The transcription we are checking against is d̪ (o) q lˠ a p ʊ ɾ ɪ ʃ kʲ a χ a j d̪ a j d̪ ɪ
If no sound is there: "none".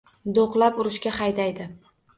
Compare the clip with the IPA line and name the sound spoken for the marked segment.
o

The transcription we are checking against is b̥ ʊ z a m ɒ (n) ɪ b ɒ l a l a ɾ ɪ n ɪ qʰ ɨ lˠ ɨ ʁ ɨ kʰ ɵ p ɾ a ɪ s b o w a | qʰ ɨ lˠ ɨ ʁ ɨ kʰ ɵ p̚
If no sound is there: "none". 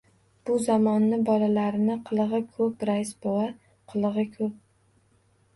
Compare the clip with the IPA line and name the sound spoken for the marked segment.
nː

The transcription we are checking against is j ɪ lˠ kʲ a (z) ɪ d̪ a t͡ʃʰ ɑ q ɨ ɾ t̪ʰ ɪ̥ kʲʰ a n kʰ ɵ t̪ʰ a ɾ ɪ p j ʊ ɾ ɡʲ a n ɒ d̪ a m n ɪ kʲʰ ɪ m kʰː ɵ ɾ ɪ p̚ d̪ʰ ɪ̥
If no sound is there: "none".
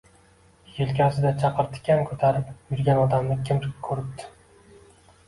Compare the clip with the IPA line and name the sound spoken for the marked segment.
s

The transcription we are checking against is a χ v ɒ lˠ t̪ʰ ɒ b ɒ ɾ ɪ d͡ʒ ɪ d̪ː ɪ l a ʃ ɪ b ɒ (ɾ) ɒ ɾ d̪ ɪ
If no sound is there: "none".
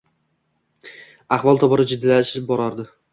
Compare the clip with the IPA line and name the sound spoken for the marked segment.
ɾ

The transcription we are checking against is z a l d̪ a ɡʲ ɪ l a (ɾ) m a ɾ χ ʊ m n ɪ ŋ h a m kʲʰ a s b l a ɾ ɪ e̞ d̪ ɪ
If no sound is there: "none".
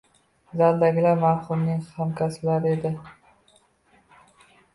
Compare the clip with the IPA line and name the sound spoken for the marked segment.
ɾ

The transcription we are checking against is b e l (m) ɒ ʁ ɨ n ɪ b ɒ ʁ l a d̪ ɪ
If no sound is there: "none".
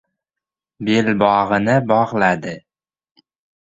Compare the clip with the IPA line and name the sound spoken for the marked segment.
b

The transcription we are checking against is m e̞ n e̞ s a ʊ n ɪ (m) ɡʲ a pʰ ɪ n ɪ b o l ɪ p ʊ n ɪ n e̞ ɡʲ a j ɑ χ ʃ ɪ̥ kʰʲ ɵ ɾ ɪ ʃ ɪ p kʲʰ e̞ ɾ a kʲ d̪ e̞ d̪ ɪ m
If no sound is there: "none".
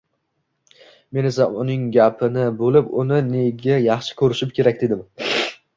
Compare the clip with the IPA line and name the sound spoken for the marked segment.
ŋ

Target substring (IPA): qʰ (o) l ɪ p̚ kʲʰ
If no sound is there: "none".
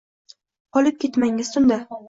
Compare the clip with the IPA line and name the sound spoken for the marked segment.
ɒ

